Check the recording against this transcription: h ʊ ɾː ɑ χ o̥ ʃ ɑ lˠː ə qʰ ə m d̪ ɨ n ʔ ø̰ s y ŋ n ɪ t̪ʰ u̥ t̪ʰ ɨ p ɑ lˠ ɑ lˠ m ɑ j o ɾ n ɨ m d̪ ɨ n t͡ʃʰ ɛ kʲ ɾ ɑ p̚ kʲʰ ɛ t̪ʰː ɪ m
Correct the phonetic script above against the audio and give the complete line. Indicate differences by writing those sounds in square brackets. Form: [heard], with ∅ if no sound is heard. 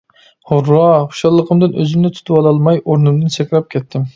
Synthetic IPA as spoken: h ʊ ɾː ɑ χ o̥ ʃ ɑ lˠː ə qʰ ə m d̪ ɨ n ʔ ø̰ [z] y [m] n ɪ t̪ʰ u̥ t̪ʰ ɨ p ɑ lˠ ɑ lˠ m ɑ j o ɾ n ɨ m d̪ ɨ n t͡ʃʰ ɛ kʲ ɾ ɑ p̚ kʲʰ ɛ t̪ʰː ɪ m